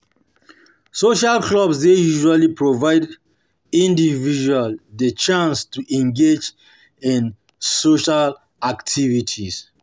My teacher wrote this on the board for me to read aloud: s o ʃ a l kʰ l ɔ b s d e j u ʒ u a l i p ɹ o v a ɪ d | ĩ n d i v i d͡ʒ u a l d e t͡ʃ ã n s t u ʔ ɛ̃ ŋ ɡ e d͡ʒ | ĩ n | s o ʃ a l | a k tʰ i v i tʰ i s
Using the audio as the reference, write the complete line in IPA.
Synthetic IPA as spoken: s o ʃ a l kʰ l ɔ b s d e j u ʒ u a l i p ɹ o v a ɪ d | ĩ n d i v i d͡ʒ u a l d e t͡ʃ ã n s t u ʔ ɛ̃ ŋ ɡ e d͡ʒ | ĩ n | s o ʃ a l | a k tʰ i v i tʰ i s